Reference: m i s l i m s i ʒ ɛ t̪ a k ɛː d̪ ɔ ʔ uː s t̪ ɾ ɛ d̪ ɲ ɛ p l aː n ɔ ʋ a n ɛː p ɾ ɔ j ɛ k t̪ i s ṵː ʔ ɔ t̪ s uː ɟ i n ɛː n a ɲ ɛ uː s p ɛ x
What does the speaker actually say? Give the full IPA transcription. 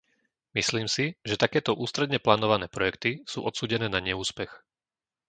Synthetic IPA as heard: m i s l iː m s i ʒ ɛ t̪ a k ɛː t̪ ɔ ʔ uː s t̪ ɾ ɛ d̪ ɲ ɛ p l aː n ɔ ʋ a n ɛː p ɾ ɔ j ɛ k t̪ i s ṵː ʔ ɔ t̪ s uː ɟ ɛ n ɛː n a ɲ ɛ uː s p ɛ x

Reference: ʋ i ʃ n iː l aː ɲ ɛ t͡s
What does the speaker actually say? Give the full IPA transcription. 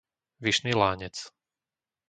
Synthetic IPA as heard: ʋ i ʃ n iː l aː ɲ ɛ t͡s

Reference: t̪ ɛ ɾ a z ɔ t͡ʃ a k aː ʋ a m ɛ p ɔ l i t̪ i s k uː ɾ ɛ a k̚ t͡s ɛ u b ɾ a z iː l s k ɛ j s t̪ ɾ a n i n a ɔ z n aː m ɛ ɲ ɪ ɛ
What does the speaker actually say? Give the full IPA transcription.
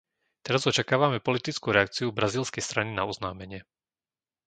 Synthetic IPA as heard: t̪ ɛ ɾ a z ɔ t͡ʃ a k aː ʋ a m ɛ p ɔ l i t̪ i t͡s k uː ɾ ɛ a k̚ t͡s i u b ɾ a z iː l s k ɛ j s t̪ ɾ a n i n a ɔ z n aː m ɛ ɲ ɪ ɛ

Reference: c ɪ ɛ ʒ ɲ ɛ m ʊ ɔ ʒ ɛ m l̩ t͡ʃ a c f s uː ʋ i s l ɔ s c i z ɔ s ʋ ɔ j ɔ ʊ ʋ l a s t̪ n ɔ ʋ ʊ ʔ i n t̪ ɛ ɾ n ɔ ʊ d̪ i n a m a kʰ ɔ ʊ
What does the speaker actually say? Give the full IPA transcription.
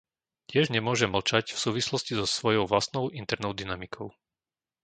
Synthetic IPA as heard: c ɪ ɛ ʒ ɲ ɛ m ʊ ɔ ʒ ɛ m l̩ t͡ʃ a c f s uː ʋ i s l ɔ s c i z ɔ s ʋ ɔ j ɔ ʊ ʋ l a s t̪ n ɔ ʊ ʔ i n t̪ ɛ ɾ n ɔ ʊ d̪ i n a m i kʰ ɔ ʊ

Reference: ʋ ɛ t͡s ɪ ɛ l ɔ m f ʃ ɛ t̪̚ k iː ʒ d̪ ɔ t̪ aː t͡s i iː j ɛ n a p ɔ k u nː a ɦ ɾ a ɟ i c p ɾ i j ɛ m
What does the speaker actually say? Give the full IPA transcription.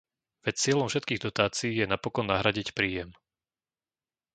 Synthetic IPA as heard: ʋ ɛ t͡s ɪ ɛ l ɔ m f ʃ ɛ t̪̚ k iː ɣ d̪ ɔ t̪ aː t͡s i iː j ɛ n a p ɔ k ɔ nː a ɦ ɾ a ɟ i c p ɾ iː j ɛ m

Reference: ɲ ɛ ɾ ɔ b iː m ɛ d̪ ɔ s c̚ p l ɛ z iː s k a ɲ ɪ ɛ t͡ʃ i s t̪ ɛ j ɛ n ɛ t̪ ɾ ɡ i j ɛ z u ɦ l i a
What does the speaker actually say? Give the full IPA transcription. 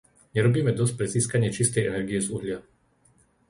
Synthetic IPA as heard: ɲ ɛ ɾ ɔ b iː m ɛ d̪ ɔ s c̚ p ɾ ɛ z iː s k a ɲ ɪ ɛ t͡ʃ i s t̪ ɛ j ɛ n ɛ ɾ ɡ i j ɛ z u ɦ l ɪ a

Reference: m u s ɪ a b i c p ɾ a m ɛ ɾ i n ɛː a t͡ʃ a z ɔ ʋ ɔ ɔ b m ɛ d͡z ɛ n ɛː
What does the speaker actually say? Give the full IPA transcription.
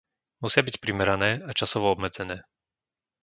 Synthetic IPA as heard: m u s ɪ a b i c p ɾ i m ɛ ɾ a n ɛː a t͡ʃ a s ɔ ʋ ɔ ɔ b m ɛ d͡z ɛ n ɛː

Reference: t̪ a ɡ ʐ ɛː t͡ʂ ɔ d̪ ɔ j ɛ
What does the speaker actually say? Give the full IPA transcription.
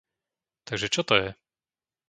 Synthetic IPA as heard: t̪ a ɡ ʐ ɛ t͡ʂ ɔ t̪ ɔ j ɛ

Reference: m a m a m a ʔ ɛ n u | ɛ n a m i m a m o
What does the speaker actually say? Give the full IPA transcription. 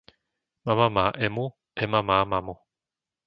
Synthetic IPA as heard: m a m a m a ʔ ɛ m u | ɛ m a m a m a m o

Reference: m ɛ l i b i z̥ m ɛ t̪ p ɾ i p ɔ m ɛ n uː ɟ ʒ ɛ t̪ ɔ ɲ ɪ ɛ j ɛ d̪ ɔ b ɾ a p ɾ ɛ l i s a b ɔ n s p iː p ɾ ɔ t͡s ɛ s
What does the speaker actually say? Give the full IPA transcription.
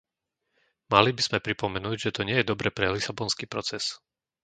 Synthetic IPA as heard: m a l i b i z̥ m ɛ p ɾ i p ɔ m ɛ n uː ɟ ʒ ɛ t̪ ɔ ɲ ɪ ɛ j ɛ d̪ ɔ b ɾ ɛ p ɾ ɛ l i s a b ɔ n s k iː p ɾ ɔ t͡s ɛ s

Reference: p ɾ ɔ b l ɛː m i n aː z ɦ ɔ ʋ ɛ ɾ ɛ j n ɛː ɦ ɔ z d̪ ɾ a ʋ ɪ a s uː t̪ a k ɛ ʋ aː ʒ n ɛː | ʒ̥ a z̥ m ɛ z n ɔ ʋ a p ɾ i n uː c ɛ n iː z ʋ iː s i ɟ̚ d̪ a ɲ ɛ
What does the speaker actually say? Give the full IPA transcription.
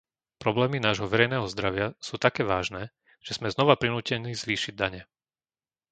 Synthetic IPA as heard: p ɾ ɔ b l ɛː m i n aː ʒ ɦ ɔ ʋ ɛ ɾ ɛ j n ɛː ɦ ɔ z d̪ ɾ a ʋ ɪ a s uː t̪ a k ɛː ʋ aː ʒ n ɛː | ʒ̥ ɛ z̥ m ɛ z n ɔ ʋ a p ɾ i n uː c ɛ n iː z ʋ iː ʃ i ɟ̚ d̪ a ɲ ɛ

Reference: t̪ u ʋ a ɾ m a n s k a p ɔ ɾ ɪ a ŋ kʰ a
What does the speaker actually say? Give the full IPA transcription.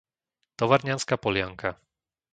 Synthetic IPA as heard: t̪ ɔ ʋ a ɾ ɲ a n s k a p ɔ l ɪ a ŋ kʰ a

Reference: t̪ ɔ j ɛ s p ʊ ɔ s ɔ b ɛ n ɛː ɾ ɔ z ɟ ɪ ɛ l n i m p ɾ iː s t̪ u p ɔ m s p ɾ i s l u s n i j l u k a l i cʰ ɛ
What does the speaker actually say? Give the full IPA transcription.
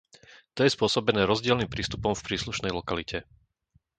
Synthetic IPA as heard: t̪ ɔ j ɛ s p ʊ ɔ s ɔ b ɛ n ɛː ɾ ɔ z ɟ ɪ ɛ l n i m p ɾ iː s t̪ u p ɔ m f p ɾ iː s l u ʃ n ɛ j l ɔ k a l i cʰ ɛ

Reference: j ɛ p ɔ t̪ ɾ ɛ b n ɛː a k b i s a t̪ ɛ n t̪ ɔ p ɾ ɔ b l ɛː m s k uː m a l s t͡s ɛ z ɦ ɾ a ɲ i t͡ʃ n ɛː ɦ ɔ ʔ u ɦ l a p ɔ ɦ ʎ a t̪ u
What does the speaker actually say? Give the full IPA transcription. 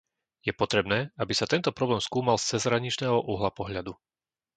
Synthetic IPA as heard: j ɛ p ɔ t̪ ɾ ɛ b n ɛː a b i s a t̪ ɛ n t̪ ɔ p ɾ ɔ b l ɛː m s k uː m a l s t͡s ɛ z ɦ ɾ a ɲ i t͡ʃ n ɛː ɦ ɔ ʔ u ɦ l a p ɔ ɦ ʎ a d̪ u

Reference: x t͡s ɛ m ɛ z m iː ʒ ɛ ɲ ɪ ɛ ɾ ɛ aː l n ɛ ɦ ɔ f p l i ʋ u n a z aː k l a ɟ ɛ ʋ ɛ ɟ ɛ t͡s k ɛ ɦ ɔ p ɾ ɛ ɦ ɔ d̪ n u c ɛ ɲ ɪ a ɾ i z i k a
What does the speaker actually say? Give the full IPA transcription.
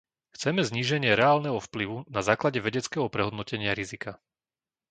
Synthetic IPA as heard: x t͡s ɛ m ɛ z ɲ iː ʒ ɛ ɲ ɪ ɛ ɾ ɛ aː l n ɛ ɦ ɔ f p l i ʋ u n a z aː k l a ɟ ɛ ʋ ɛ ɟ ɛ t͡s k ɛ ɦ ɔ p ɾ ɛ ɦ ɔ d̪ n ɔ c ɛ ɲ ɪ a ɾ i z i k a

